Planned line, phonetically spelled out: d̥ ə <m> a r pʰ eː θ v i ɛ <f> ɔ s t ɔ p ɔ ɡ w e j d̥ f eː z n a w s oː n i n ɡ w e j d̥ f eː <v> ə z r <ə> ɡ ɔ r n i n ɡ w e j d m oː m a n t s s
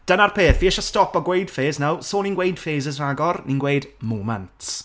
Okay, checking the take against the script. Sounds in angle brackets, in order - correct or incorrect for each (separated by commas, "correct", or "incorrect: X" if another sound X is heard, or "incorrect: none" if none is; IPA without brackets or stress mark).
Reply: incorrect: n, incorrect: ʃ, incorrect: z, incorrect: a